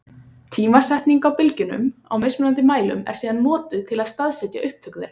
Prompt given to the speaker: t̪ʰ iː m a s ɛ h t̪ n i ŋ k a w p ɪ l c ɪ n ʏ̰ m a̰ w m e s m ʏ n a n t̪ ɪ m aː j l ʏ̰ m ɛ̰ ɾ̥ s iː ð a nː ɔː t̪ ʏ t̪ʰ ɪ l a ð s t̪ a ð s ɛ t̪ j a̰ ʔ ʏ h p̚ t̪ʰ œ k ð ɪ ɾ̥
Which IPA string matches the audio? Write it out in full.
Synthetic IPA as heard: t̪ʰ iː m a s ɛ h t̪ n i ŋ k a w p ɪ l c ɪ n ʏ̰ m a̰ w m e s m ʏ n a n t̪ ɪ m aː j l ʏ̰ m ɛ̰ ɾ̥ s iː ð a nː ɔː t̪ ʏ t̪ʰ ɪ l a ð s t̪ a ð s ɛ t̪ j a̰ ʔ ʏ h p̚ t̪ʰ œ k ð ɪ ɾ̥